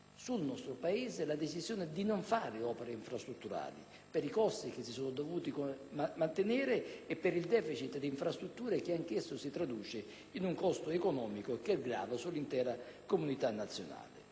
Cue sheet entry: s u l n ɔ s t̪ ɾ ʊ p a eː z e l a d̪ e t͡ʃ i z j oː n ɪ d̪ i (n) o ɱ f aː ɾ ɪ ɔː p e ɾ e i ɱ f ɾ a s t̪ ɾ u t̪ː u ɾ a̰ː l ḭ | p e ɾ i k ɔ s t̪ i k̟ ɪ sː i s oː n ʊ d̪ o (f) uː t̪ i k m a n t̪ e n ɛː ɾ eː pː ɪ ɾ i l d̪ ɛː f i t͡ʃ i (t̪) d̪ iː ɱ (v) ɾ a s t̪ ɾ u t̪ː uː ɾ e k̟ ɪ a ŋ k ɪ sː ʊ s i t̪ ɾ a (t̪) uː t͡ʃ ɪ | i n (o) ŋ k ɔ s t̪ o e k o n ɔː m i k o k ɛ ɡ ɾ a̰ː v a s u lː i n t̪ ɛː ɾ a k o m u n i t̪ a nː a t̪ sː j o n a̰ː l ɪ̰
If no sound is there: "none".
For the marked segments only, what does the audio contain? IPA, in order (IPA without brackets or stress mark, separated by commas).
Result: n, v, t̪, f, d̪, u